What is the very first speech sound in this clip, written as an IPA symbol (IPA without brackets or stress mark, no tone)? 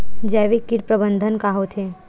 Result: d͡ʒ